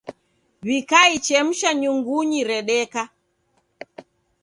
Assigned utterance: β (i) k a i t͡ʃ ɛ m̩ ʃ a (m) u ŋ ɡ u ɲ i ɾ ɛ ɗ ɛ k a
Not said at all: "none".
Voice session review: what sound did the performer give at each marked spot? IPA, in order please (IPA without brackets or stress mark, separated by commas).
i, ɲ